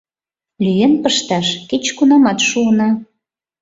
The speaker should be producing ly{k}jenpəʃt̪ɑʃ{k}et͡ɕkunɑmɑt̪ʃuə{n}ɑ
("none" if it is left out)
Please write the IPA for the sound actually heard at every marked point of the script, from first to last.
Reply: none, k, n

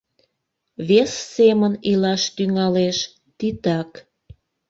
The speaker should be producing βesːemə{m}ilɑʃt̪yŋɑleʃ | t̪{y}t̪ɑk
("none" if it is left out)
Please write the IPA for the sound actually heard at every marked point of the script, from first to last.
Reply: n, i

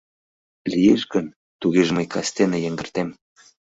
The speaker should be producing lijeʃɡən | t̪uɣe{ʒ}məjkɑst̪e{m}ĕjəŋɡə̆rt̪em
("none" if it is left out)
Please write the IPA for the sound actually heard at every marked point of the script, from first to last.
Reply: ʒ, n

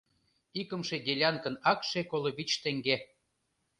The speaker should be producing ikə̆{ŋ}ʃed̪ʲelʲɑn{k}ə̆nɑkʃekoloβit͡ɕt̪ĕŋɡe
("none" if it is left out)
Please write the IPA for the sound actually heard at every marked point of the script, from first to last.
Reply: m, k

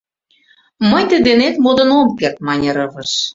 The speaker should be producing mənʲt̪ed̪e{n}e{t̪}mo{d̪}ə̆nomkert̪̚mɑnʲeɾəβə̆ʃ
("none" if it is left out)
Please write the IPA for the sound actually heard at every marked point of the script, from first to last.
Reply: n, t̪, d̪

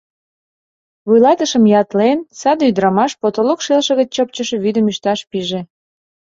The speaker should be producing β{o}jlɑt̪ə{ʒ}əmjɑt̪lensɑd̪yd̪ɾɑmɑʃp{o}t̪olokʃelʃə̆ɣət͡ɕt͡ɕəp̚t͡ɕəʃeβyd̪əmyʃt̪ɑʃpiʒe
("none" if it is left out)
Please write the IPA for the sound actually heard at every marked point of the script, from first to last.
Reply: u, ʃ, o

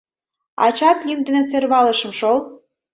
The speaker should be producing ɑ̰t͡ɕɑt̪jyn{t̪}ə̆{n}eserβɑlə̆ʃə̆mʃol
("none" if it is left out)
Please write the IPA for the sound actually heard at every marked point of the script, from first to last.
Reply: d̪, n

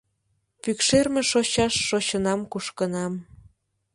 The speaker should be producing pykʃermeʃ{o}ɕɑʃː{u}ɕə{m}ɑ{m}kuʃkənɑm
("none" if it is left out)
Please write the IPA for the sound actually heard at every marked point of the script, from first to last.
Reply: o, o, n, m

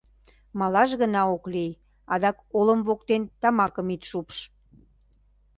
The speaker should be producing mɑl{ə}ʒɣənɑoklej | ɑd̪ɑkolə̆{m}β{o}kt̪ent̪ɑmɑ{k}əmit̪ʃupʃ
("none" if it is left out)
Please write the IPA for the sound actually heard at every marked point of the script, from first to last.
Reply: ɑ, m, o, k

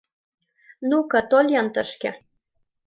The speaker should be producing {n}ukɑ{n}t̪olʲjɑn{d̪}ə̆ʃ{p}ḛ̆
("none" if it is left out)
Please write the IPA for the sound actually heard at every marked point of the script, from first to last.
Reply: n, none, t̪, k

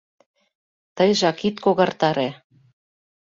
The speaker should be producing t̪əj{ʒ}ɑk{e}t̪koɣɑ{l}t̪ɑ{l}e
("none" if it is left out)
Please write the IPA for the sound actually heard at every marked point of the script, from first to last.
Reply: ʒ, i, r, ɾ

